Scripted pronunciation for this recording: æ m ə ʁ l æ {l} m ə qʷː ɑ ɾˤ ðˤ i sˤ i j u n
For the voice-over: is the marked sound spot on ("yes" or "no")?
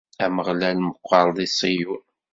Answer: yes